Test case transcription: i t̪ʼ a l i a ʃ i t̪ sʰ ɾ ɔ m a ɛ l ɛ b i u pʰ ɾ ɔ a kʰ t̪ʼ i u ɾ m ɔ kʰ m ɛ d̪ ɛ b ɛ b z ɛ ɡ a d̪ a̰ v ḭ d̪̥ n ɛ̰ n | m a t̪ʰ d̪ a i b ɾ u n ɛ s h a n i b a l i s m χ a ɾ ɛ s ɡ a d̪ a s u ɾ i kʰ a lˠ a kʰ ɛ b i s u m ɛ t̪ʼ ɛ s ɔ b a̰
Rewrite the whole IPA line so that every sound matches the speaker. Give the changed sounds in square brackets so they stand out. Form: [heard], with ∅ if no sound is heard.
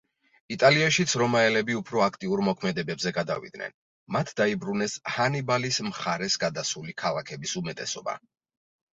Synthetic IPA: i t̪ʼ a l i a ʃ i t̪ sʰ ɾ ɔ m a ɛ l ɛ b i u pʰ ɾ ɔ a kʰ t̪ʼ i u ɾ m ɔ kʰ m ɛ d̪ ɛ b ɛ b z ɛ ɡ a d̪ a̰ v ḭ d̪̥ n ɛ̰ n | m a t̪ʰ d̪ a i b ɾ u n ɛ s h a n i b a l i s m χ a ɾ ɛ s ɡ a d̪ a s u [l] i kʰ a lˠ a kʰ ɛ b i s u m ɛ t̪ʼ ɛ s ɔ b a̰